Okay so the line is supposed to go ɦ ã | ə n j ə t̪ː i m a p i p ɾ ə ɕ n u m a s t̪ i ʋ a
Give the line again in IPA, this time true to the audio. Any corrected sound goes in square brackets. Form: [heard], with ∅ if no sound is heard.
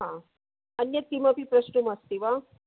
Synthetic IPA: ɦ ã | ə n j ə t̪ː i m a p i p ɾ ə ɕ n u m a s t̪ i ʋ a